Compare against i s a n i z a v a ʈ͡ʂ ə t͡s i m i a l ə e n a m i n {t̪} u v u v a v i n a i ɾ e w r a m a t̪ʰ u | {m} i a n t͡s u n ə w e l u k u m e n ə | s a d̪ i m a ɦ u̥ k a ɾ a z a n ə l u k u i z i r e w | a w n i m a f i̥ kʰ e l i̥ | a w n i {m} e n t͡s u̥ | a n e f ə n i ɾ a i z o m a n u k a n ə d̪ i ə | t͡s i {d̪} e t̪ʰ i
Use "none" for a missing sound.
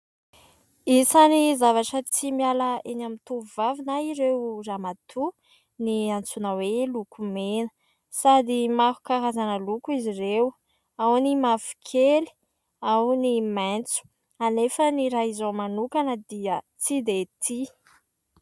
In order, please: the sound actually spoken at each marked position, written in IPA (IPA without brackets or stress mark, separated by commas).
t̪, n, m, d̪